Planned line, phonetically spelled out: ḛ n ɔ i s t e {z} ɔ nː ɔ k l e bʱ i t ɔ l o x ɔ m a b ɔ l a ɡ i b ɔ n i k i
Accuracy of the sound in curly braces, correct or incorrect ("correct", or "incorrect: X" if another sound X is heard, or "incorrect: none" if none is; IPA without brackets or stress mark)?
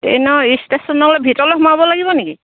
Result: incorrect: s